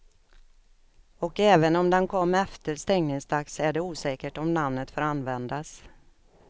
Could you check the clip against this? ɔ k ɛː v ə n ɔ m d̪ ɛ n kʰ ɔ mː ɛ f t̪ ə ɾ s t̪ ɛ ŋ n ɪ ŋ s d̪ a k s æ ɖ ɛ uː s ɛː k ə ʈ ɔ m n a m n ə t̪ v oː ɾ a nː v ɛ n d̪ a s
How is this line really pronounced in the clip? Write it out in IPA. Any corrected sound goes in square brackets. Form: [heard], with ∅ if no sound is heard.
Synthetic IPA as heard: ɔ k ɛː v ə n ɔ m d̪ ɛ n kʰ ɔ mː ɛ f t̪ ə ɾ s t̪ ɛ ŋ n ɪ ŋ s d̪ a k s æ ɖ ɛ uː s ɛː k ə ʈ ɔ m n a m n ə t̪ [f] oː ɾ a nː v ɛ n d̪ a s